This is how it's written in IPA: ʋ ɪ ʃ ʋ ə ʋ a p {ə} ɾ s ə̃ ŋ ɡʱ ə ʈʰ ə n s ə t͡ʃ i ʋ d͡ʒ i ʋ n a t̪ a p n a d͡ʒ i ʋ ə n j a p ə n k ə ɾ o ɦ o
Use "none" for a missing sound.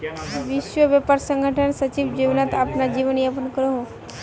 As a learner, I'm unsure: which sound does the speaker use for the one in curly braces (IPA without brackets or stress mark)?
a